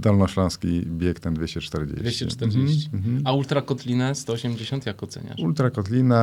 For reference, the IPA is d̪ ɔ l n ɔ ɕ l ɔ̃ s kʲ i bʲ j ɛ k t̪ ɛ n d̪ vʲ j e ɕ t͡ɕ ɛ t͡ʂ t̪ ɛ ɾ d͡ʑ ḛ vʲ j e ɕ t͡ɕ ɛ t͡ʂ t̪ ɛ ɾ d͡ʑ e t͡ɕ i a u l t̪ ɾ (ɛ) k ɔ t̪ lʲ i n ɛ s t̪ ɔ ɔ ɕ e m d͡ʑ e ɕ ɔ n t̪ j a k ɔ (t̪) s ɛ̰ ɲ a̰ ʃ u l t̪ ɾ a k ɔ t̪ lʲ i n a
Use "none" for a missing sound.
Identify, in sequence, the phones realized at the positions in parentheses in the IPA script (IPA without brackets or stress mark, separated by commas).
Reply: a, t̪